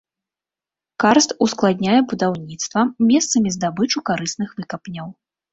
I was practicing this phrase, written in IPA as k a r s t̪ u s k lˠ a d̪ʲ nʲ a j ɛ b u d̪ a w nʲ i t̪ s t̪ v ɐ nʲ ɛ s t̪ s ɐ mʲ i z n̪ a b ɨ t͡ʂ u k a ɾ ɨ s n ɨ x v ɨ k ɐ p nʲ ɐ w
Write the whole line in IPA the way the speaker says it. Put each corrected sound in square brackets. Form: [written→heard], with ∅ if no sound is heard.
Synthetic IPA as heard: k a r s t̪ u s k lˠ a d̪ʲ nʲ a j ɛ b u d̪ a w nʲ i t̪ s t̪ v ɐ [nʲ→mʲ] ɛ s t̪ s ɐ mʲ i z [n̪→d̪] a b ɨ t͡ʂ u k a ɾ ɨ s n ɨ x v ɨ k ɐ p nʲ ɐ w